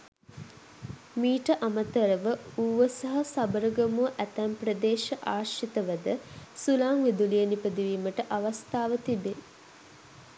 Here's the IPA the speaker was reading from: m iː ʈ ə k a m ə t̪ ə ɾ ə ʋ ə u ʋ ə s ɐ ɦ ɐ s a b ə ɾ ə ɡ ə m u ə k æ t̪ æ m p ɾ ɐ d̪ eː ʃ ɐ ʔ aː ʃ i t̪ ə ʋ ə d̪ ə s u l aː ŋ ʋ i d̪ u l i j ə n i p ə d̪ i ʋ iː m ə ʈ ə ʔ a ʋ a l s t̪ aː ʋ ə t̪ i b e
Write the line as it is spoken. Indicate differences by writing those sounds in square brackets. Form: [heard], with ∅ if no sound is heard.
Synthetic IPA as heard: m iː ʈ ə [ʔ] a m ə t̪ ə ɾ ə ʋ ə u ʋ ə s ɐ ɦ ɐ s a b ə ɾ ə ɡ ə m u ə [ʔ] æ t̪ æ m p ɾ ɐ d̪ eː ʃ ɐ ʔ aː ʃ i t̪ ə ʋ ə d̪ ə s u l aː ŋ ʋ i d̪ u l i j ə n i p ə d̪ i ʋ iː m ə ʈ ə ʔ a ʋ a [∅] s t̪ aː ʋ ə t̪ i b e